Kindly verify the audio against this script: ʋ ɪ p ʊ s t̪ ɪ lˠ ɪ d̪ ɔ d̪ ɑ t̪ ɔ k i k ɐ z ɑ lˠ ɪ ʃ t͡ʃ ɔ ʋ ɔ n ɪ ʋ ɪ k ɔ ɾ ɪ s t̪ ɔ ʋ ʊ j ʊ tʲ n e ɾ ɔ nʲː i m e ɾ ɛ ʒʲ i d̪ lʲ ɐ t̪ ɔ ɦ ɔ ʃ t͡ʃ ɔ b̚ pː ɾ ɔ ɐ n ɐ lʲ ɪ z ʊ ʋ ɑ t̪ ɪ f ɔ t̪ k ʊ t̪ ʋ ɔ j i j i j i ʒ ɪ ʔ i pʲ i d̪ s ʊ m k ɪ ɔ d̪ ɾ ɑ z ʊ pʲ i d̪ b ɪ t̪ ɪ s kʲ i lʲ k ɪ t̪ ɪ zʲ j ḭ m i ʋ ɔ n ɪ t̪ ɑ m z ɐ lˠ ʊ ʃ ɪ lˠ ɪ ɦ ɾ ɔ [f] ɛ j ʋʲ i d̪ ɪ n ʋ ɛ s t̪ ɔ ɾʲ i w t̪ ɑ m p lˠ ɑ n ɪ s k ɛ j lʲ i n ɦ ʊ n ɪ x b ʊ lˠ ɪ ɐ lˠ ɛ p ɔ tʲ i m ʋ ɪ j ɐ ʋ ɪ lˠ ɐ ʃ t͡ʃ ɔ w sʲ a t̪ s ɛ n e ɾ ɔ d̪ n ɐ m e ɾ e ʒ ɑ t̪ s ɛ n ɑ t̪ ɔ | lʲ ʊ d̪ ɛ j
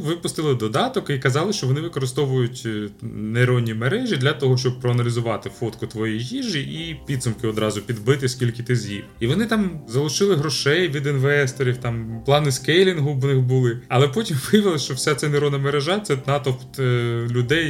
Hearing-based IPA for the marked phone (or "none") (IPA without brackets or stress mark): ʃ